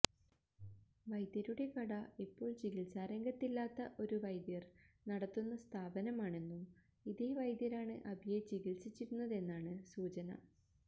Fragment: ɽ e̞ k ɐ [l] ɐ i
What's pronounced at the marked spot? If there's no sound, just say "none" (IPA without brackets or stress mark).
ɽ